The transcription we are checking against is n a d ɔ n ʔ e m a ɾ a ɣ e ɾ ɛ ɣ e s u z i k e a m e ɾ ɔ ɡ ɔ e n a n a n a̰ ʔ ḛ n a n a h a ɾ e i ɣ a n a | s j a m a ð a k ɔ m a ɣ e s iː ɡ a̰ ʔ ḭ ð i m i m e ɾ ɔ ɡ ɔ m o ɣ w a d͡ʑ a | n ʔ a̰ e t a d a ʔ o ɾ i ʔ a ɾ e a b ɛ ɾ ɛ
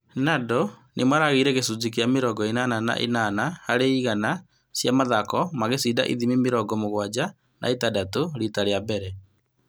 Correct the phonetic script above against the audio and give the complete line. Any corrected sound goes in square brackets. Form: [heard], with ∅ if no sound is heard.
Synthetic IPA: n a d ɔ n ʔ e m a ɾ a ɣ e ɾ ɛ ɣ e s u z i k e a m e ɾ ɔ ɡ ɔ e n a n a n a̰ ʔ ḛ n a n a h a ɾ e i ɣ a n a | s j a m a ð a k ɔ m a ɣ e s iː [d] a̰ ʔ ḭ ð i m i m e ɾ ɔ ɡ ɔ m o ɣ w a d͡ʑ a | n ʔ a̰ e t a d a [t] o ɾ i [t] a ɾ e a b ɛ ɾ ɛ